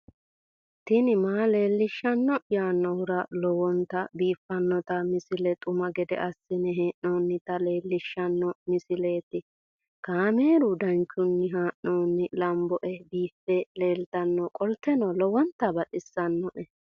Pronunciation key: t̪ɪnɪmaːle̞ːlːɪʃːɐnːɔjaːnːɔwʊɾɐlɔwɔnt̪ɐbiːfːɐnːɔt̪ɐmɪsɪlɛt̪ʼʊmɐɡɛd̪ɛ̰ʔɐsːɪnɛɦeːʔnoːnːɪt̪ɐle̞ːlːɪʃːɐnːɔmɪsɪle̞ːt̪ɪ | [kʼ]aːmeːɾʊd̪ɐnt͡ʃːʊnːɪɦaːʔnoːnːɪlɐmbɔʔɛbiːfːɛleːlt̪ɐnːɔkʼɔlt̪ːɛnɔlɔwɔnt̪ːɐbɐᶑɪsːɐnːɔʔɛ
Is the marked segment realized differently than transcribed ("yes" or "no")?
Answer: yes